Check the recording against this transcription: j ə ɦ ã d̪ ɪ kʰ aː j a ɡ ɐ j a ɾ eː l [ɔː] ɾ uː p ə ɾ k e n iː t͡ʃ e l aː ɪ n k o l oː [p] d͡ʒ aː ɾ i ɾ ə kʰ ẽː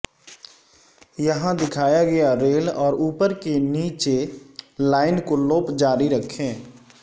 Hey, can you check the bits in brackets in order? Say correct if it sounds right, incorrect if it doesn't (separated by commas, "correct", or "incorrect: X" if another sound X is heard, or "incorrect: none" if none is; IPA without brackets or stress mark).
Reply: correct, correct